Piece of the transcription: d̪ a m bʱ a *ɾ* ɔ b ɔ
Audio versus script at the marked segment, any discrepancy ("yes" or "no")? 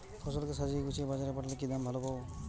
yes